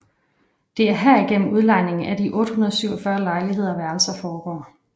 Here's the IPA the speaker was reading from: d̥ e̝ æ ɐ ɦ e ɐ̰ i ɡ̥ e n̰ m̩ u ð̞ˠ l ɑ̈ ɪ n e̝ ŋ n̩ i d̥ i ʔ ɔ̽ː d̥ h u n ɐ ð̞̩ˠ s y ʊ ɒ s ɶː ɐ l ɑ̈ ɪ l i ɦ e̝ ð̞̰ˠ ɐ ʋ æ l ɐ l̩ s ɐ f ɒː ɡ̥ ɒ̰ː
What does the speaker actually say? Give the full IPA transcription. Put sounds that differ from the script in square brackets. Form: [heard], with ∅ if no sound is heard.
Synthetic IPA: d̥ e̝ æ ɐ ɦ [æ] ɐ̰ i ɡ̥ e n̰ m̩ u ð̞ˠ l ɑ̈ ɪ n e̝ ŋ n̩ [æ] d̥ i ʔ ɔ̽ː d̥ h u n ɐ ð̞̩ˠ s y ʊ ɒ [f] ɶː ɐ l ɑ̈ ɪ l i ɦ e̝ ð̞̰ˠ ɐ ʋ æ [∅] ɐ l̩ s ɐ f ɒː ɡ̥ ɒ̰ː